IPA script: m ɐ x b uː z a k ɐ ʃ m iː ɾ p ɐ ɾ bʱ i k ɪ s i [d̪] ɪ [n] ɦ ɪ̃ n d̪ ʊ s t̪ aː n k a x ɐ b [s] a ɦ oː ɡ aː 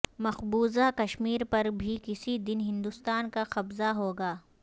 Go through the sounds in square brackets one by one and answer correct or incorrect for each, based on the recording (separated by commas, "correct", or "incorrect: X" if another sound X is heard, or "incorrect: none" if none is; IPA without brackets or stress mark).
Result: correct, correct, incorrect: z